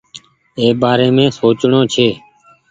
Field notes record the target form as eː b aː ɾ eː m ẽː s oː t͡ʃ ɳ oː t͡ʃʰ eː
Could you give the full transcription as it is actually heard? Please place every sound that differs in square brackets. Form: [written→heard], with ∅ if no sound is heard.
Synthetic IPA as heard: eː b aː ɾ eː m ẽː s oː t͡ʃ ɳ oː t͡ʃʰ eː